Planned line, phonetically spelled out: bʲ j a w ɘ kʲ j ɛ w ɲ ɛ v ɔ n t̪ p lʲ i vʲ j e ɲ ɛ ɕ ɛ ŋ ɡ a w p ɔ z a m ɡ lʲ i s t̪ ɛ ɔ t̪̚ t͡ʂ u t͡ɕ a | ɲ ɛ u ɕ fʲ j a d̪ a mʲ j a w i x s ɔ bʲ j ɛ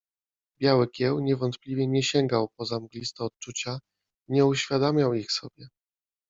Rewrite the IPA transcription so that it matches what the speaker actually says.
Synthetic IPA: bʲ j a w ɘ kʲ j ɛ w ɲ ɛ v ɔ n t̪ p lʲ i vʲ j ɛ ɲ ɛ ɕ ɛ ŋ ɡ a w p ɔ z a m ɡ lʲ i s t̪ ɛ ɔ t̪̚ t͡ʂ u t͡ɕ a | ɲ ɛ u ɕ fʲ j a d̪ a mʲ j a w i x s ɔ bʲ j ɛ

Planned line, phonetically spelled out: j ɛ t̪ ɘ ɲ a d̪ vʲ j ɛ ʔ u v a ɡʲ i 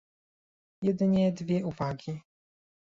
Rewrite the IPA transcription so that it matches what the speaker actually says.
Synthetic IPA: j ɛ d̪ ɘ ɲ ɛ d̪ vʲ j ɛ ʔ u v a ɡʲ i

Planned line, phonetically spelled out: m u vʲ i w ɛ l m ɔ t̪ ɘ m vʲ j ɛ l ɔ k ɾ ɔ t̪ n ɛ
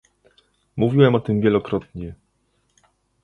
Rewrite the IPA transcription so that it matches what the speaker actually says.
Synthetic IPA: m u vʲ i w ɛ m ɔ t̪ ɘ m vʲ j ɛ l ɔ k ɾ ɔ t̪ ɲ ɛ

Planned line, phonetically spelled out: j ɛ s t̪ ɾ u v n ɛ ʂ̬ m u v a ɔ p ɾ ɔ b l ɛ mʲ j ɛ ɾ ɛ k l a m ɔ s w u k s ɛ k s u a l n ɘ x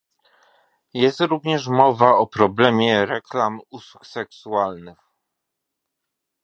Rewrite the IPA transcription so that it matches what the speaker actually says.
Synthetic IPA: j ɛ s t̪ ɾ u v ɲ ɛ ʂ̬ m ɔ v a ɔ p ɾ ɔ b l ɛ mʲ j ɛ ɾ ɛ k l a m u s w u k s ɛ k s u a l n ɘ x

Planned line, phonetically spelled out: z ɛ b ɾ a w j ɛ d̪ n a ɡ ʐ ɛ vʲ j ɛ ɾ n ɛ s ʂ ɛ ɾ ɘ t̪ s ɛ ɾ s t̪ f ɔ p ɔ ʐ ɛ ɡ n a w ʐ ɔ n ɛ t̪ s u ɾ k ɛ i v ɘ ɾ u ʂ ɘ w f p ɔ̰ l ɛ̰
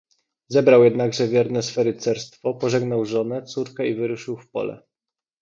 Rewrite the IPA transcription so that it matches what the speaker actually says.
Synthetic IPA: z ɛ b ɾ a w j ɛ d̪ n a ɡ ʐ ɛ vʲ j ɛ ɾ n ɛ s f ɛ ɾ ɘ t̪ s ɛ ɾ s t̪ f ɔ p ɔ ʐ ɛ ɡ n a w ʐ ɔ n ɛ t̪ s u ɾ k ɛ i v ɘ ɾ u ʂ ɘ w f p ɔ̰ l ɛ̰

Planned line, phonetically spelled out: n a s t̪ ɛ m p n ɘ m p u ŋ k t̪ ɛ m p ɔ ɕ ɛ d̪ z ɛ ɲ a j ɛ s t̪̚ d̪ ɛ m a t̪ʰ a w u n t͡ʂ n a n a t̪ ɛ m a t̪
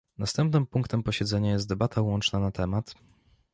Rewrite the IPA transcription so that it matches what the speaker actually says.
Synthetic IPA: n a s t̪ ɛ m p n ɘ m p u ŋ k t̪ ɛ m p ɔ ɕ ɛ d̪ z ɛ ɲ a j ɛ s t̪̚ d̪ ɛ b a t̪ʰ a w ɔ n t͡ʂ n a n a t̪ ɛ m a t̪

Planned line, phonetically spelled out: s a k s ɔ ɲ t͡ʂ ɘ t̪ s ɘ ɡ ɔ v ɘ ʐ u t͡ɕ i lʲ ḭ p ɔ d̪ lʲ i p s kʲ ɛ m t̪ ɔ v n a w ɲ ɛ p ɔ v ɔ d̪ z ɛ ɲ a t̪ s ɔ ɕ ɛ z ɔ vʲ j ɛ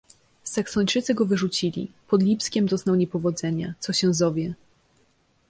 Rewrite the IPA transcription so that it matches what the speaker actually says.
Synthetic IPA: s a k s ɔ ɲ t͡ʂ ɘ t̪ s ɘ ɡ ɔ v ɘ ʐ u t͡ɕ i lʲ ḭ p ɔ d̪ lʲ i p s kʲ ɛ m d̪ ɔ z n a w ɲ ɛ p ɔ v ɔ d̪ z ɛ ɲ a t̪ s ɔ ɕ ɛ z ɔ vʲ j ɛ

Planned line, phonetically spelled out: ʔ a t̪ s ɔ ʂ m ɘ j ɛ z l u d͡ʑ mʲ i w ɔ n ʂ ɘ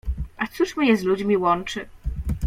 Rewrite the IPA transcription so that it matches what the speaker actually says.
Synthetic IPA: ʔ a t̪ s u ʂ m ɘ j ɛ z l u d͡ʑ mʲ i w ɔ n t͡ʂ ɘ

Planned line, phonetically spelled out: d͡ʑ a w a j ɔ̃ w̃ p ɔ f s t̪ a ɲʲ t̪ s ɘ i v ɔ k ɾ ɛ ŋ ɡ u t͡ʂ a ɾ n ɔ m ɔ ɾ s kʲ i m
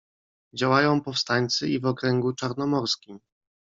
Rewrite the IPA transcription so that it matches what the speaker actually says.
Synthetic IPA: d͡ʑ a w a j ɔ̃ w̃ p ɔ f s t̪ a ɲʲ t̪ s ɘ i v ɔ k ɾ ɛ ŋ ɡ u t͡ʂ a ɾ n ɔ m ɔ ɾ s kʲ i m

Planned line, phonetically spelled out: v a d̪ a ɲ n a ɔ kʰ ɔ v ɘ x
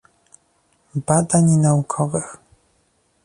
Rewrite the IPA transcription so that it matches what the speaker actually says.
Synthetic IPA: b a d̪ a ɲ n a u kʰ ɔ v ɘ x

